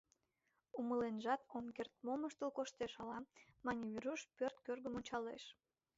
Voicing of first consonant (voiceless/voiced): voiced